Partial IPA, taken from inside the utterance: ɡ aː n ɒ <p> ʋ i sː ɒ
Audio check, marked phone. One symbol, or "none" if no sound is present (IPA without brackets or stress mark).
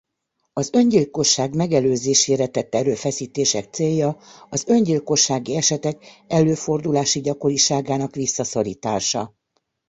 k